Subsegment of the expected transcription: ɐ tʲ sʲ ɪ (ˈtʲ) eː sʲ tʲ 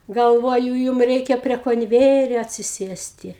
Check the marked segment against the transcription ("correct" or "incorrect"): incorrect